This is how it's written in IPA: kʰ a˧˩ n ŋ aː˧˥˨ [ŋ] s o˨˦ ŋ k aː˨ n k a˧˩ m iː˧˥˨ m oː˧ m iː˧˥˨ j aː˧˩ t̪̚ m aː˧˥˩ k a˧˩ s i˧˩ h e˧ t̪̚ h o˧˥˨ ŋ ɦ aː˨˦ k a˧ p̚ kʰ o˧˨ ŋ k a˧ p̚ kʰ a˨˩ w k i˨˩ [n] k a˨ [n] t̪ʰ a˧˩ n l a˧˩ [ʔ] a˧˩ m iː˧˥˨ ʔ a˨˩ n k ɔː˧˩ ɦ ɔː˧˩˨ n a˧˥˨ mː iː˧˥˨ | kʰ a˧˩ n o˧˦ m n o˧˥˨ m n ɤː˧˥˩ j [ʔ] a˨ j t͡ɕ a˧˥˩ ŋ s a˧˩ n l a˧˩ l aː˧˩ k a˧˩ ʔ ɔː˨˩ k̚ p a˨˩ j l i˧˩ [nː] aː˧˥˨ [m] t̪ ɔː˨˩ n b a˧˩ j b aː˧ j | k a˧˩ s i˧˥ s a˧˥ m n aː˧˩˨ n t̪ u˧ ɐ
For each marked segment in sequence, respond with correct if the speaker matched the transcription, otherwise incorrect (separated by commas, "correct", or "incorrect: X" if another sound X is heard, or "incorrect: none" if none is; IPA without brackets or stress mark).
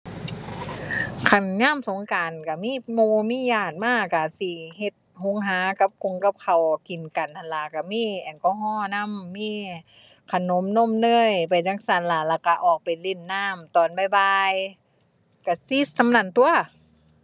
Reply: incorrect: m, correct, correct, incorrect: k, incorrect: p, correct, correct